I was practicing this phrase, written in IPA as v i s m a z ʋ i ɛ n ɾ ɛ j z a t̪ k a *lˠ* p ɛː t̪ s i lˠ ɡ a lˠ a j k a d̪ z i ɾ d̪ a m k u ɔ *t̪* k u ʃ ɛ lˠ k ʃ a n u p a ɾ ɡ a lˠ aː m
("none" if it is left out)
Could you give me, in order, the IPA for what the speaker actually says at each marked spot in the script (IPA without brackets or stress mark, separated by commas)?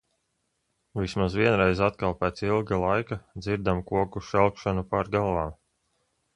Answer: lˠ, none